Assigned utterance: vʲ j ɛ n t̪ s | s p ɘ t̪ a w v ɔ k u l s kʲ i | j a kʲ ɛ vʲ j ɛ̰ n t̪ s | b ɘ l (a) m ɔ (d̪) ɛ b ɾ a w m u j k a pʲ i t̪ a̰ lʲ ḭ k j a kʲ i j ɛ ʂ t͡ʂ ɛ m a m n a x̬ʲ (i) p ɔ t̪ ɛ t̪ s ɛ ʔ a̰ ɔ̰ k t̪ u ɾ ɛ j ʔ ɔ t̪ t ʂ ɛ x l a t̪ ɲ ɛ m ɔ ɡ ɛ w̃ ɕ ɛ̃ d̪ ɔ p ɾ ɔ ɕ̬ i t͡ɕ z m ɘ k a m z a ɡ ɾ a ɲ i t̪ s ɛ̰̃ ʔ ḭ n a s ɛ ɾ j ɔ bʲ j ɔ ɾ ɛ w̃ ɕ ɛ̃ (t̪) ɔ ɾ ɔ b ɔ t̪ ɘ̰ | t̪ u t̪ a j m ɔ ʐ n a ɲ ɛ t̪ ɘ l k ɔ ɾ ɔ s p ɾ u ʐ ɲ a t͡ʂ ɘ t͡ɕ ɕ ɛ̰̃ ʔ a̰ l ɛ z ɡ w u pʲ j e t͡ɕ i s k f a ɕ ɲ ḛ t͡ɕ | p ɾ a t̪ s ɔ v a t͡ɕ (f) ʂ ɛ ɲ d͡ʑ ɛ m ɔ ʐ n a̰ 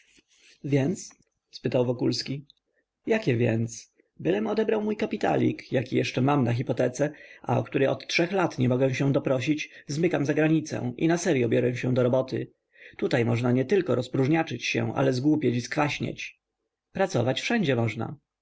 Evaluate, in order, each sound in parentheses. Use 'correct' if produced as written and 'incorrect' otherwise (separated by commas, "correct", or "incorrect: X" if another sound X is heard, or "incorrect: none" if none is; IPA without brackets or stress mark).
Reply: incorrect: ɛ, correct, correct, incorrect: d̪, correct